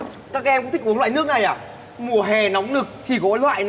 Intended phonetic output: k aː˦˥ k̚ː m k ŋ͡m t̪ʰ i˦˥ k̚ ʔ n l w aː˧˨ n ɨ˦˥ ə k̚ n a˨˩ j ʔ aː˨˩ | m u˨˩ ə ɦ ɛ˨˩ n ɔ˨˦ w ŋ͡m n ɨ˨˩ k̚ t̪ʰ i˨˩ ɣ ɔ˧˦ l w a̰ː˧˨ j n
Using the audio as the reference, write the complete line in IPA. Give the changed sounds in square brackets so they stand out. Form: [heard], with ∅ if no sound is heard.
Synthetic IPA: k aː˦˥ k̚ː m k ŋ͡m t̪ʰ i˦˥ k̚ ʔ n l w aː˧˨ n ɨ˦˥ ə k̚ n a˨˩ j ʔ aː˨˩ | m u˨˩ ə ɦ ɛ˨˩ n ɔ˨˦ w ŋ͡m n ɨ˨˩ k̚ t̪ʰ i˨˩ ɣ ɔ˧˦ l w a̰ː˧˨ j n